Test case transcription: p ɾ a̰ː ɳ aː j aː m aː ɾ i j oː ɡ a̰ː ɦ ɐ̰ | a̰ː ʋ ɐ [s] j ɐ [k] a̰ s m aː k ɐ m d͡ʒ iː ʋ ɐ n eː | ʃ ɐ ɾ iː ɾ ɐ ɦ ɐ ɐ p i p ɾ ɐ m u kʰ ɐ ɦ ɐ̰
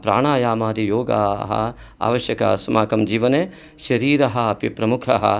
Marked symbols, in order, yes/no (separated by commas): no, yes